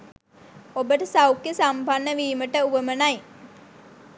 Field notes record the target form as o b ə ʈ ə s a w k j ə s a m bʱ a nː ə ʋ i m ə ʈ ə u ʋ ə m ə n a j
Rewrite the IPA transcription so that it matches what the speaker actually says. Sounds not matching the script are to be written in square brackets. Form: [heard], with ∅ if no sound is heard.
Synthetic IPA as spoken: o b ə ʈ ə s a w k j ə s a m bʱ a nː ə ʋ [iː] m ə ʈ ə u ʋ ə m ə n a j